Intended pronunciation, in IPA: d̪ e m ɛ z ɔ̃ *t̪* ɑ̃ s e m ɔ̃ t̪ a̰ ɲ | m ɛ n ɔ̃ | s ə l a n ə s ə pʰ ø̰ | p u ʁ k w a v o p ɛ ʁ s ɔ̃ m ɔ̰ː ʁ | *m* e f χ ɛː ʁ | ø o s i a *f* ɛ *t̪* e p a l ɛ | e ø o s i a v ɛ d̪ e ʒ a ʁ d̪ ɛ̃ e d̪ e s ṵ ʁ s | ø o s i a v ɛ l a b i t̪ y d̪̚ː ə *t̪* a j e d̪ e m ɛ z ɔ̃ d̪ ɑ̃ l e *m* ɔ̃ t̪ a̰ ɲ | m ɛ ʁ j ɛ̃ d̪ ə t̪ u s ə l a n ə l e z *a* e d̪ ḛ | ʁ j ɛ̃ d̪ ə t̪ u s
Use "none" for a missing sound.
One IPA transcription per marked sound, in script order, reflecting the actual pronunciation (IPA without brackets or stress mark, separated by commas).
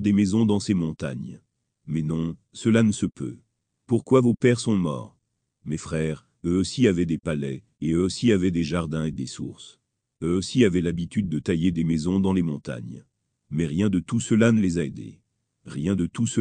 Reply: d̪, m, v, d̪, t̪, m, a